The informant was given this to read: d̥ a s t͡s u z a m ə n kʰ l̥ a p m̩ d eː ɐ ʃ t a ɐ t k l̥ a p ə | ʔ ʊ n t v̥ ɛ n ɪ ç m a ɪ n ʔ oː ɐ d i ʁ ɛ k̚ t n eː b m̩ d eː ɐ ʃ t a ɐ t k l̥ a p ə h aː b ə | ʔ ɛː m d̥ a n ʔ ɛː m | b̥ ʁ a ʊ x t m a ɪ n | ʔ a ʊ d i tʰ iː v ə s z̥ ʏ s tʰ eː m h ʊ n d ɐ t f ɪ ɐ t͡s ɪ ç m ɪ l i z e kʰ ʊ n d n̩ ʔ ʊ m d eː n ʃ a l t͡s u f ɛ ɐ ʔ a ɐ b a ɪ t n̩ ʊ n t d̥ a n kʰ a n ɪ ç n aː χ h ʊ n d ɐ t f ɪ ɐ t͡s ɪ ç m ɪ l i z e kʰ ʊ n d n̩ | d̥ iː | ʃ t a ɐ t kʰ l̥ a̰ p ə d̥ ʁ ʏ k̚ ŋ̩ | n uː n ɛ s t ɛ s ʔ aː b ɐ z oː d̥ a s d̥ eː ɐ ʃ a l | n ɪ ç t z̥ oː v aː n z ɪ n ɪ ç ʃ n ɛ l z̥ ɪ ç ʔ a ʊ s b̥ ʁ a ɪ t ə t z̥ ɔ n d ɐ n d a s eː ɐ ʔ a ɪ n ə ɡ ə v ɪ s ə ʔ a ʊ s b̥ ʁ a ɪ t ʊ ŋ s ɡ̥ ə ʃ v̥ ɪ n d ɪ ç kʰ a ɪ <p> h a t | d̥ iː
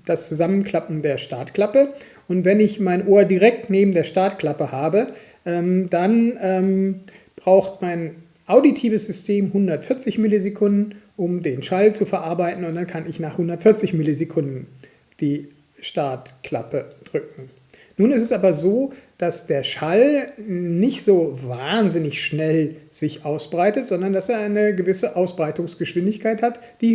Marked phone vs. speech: incorrect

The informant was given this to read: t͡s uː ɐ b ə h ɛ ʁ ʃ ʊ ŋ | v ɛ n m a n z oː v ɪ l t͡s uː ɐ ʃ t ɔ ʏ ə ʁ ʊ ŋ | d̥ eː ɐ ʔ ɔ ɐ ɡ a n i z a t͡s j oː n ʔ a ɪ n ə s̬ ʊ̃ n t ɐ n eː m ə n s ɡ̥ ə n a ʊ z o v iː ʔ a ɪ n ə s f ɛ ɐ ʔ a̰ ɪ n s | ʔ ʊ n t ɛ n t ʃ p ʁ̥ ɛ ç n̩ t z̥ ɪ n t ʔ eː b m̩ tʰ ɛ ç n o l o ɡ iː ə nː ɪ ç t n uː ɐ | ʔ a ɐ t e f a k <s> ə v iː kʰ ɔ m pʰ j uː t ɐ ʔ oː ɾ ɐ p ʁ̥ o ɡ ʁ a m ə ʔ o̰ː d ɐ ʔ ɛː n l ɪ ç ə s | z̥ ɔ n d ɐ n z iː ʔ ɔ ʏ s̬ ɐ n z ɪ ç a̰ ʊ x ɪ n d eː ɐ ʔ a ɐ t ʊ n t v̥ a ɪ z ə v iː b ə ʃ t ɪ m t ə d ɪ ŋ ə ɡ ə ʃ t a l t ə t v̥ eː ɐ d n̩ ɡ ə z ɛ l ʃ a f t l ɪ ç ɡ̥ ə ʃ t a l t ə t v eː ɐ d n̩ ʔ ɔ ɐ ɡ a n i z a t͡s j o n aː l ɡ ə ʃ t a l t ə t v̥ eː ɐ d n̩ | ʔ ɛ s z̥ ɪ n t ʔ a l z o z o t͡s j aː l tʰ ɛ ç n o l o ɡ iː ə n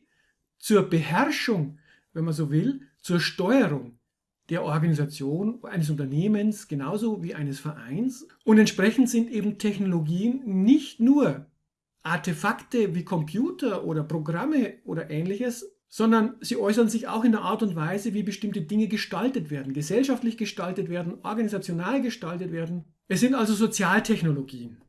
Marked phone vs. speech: incorrect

